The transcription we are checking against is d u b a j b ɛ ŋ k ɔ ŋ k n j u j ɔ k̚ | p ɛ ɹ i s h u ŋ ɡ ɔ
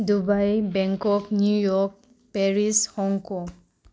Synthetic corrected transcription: d u b a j b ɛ ŋ k ɔ k n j u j ɔ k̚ | p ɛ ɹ i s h ɔ ŋ k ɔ